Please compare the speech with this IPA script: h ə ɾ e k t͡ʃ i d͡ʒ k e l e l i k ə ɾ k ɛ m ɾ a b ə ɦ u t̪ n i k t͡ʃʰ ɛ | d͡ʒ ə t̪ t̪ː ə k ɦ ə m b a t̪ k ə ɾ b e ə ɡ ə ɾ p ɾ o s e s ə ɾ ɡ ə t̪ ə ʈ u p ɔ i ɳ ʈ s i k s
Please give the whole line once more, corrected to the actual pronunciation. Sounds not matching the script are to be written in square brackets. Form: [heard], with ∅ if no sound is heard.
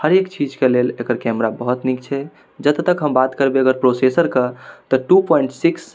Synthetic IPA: h ə ɾ e k t͡ʃ i d͡ʒ k e l e l [e] k ə ɾ k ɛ m ɾ a b ə ɦ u t̪ n i k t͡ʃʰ ɛ | d͡ʒ ə t̪ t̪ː ə k ɦ ə m b a t̪ k ə ɾ b e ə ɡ ə ɾ p ɾ o s e s ə ɾ [k] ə t̪ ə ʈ u p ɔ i ɳ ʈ s i k s